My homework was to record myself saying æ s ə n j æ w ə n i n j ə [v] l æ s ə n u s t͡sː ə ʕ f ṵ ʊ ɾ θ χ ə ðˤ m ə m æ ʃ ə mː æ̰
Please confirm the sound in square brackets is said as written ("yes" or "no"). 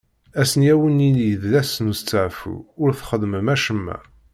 no